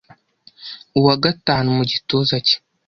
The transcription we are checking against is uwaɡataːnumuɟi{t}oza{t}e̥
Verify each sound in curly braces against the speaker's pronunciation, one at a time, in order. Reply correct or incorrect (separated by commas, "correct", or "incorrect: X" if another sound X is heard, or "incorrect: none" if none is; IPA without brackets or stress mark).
correct, incorrect: c